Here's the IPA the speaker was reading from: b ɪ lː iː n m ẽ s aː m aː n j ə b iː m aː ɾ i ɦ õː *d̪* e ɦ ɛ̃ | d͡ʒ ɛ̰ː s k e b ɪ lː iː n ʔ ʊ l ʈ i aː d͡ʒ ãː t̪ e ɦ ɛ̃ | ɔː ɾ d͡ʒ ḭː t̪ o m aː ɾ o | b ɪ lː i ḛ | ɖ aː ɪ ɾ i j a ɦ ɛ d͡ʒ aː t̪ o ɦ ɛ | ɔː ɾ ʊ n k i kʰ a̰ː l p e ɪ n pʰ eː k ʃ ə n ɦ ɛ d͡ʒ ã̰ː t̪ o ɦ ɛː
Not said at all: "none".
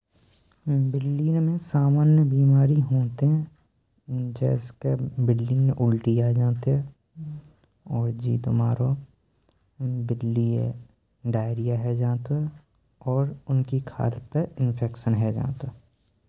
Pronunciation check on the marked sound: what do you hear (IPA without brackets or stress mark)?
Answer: t̪